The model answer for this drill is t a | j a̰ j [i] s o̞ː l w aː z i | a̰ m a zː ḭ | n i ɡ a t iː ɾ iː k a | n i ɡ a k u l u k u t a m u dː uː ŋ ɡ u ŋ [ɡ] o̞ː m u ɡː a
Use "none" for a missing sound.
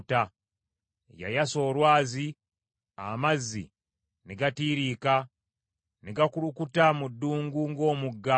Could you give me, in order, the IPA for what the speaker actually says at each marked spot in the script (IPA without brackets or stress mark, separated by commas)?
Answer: a, ɡ